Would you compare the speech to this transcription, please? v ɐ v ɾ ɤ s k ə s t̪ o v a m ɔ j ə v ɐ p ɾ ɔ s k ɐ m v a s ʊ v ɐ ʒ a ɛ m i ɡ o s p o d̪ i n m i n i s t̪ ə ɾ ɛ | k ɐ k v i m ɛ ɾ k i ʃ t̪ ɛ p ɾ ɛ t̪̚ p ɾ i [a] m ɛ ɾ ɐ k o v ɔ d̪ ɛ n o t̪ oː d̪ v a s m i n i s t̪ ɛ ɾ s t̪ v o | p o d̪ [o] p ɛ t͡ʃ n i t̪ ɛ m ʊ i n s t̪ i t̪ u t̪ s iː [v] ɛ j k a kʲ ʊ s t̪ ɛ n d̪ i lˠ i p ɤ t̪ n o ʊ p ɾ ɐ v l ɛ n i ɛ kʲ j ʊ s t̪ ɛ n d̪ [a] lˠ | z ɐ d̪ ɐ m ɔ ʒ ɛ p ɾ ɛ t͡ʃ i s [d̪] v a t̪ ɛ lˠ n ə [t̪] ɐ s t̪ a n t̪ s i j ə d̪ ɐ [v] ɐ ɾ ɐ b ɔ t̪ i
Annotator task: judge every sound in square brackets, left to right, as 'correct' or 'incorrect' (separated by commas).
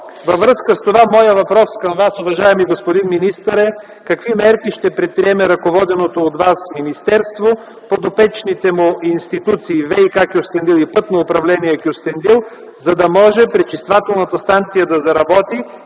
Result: incorrect, correct, correct, incorrect, incorrect, correct, incorrect